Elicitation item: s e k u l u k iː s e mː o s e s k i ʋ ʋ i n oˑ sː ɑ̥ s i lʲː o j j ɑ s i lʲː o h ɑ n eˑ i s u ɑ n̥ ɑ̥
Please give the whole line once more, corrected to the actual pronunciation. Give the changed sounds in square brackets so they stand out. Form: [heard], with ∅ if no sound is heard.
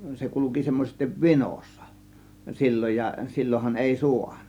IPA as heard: s e k u l u k [i] s e mː o s e s [t] i ʋ ʋ i n oˑ sː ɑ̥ s i lʲː o j j ɑ s i lʲː o h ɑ n eˑ i s u ɑ n̥ ɑ̥